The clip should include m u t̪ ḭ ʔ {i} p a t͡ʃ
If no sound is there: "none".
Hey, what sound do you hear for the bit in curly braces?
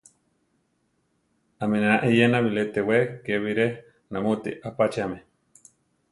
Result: a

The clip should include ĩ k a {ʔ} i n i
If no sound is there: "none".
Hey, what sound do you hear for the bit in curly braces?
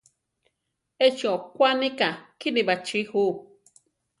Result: k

